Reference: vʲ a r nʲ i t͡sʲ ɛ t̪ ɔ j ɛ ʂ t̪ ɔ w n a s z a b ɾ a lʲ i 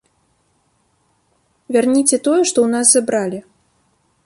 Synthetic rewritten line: vʲ a r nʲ i t͡sʲ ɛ t̪ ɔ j ɛ ʂ t̪ ɔ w n a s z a b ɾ a lʲ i